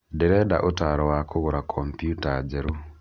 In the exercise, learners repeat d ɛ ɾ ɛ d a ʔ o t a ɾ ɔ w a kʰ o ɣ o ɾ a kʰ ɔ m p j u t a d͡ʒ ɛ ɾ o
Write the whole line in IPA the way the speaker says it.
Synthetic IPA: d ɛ ɾ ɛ d a ʔ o t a ɾ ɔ w a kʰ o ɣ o ɾ a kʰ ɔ m p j u t a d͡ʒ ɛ ɾ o